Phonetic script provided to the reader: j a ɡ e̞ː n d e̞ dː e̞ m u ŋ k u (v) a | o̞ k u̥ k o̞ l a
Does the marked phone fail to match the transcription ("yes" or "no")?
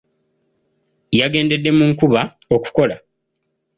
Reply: yes